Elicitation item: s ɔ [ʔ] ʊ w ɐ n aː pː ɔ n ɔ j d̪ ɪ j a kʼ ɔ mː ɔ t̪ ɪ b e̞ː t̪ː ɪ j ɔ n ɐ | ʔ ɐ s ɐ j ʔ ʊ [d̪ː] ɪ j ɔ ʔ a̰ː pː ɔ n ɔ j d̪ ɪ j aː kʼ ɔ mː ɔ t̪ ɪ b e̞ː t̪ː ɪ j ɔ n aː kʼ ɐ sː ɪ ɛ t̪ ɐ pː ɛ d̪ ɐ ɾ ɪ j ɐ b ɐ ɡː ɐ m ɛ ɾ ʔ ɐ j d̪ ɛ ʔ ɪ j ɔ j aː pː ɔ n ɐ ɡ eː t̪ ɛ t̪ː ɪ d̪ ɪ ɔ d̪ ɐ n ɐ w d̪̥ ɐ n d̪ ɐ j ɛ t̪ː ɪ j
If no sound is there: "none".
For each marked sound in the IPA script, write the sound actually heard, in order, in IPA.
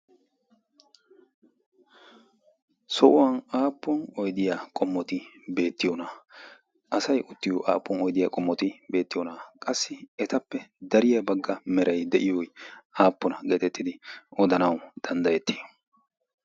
ʔ, t̪ː

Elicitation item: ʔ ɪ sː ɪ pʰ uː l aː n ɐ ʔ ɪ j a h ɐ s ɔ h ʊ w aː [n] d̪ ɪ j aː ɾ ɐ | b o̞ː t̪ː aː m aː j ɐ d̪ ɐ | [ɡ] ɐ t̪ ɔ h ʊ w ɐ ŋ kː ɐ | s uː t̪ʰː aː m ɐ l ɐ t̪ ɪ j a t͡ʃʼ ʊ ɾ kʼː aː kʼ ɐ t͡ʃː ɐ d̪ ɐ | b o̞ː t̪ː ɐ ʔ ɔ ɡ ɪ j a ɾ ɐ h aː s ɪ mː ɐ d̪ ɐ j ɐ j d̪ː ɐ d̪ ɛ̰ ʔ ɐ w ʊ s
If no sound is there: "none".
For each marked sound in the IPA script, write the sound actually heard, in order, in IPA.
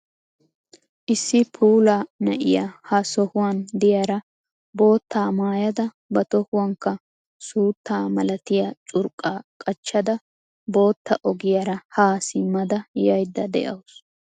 n, b

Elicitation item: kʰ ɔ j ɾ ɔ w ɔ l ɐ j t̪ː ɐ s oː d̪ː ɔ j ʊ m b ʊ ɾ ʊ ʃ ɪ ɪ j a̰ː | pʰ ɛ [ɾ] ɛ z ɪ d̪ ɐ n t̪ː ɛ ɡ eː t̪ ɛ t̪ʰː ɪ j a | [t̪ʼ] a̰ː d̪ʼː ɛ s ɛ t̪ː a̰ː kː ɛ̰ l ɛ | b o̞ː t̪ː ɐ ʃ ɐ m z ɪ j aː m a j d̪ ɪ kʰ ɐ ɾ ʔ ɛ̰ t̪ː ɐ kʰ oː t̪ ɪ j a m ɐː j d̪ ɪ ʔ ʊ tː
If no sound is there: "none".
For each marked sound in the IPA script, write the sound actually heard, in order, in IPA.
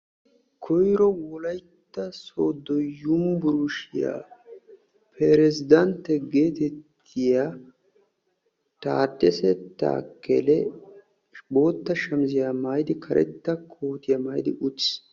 ɾ, t̪

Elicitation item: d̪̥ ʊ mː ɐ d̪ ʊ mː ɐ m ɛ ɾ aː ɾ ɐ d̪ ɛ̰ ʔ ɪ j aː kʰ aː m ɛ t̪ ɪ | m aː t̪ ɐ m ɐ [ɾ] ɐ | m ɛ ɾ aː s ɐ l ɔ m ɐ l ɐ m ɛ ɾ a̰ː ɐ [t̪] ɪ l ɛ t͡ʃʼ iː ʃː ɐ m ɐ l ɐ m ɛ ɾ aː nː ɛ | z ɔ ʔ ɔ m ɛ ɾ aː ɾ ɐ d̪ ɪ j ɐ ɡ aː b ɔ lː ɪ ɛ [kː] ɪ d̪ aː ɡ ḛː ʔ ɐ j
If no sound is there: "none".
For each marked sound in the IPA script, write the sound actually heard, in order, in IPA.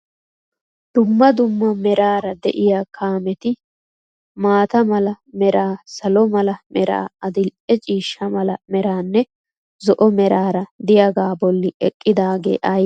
l, d̪, kʼː

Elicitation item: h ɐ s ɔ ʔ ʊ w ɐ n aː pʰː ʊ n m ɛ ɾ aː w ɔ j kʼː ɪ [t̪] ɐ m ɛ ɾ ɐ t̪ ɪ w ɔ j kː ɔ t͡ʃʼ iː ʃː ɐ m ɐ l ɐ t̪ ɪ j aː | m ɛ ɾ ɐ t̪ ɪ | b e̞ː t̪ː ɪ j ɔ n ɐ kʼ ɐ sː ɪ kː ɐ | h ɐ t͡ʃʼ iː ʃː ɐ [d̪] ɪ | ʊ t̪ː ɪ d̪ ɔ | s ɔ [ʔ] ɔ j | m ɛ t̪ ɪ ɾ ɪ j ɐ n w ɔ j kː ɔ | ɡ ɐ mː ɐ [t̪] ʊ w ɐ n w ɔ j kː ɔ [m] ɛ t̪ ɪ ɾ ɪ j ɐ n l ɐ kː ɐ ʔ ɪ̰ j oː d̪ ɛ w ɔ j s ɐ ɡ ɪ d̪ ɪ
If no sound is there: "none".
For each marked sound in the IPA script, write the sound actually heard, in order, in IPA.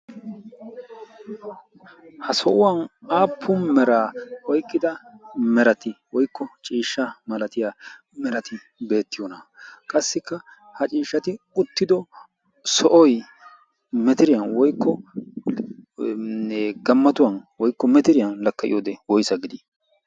d̪, t̪, ʔ, t̪, m

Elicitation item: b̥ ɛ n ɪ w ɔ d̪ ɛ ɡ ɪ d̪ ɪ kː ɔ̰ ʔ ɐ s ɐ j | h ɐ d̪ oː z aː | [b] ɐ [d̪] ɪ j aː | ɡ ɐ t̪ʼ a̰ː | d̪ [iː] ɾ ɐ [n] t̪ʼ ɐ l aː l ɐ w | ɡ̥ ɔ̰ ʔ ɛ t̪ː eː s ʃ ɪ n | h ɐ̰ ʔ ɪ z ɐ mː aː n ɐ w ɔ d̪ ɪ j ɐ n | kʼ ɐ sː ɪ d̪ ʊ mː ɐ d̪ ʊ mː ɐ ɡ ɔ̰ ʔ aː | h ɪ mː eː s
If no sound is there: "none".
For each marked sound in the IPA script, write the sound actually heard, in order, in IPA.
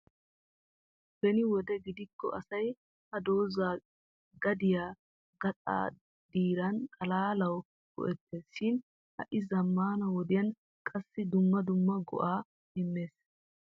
ɡ, d̪, iː, n

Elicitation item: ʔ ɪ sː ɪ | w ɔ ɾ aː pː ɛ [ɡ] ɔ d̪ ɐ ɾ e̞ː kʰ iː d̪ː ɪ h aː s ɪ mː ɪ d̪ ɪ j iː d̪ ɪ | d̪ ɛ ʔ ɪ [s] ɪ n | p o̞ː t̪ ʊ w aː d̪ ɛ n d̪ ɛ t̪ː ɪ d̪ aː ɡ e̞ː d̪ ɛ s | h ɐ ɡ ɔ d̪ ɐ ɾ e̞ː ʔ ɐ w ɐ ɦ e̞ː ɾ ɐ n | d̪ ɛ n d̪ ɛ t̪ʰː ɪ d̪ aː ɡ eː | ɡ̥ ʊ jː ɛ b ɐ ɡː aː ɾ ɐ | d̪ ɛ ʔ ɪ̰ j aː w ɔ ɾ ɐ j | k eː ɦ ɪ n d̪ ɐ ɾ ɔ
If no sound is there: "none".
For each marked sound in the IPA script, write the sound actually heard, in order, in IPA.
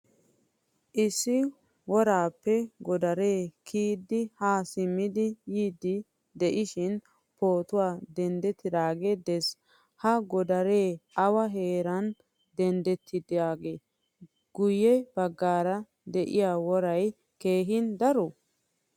ɡ, ʃ

